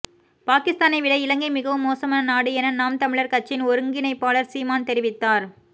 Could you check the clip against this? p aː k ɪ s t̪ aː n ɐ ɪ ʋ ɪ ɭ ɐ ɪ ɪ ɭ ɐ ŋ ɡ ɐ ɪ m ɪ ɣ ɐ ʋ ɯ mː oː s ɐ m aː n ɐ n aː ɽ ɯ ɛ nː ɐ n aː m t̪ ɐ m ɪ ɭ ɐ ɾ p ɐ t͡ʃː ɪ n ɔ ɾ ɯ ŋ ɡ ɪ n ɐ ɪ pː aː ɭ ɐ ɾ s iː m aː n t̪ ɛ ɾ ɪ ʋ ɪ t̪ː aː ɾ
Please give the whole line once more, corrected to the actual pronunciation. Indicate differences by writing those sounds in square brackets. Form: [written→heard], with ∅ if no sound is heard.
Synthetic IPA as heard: p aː k ɪ s t̪ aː n ɐ ɪ ʋ ɪ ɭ ɐ ɪ ɪ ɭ ɐ ŋ ɡ ɐ ɪ m ɪ ɣ ɐ ʋ ɯ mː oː s ɐ m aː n ɐ n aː ɽ ɯ ɛ [nː→n] ɐ n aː m t̪ ɐ m ɪ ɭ ɐ ɾ [p→k] ɐ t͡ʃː ɪ n ɔ ɾ ɯ ŋ ɡ ɪ n ɐ ɪ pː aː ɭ ɐ ɾ s iː m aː n t̪ ɛ ɾ ɪ ʋ ɪ t̪ː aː ɾ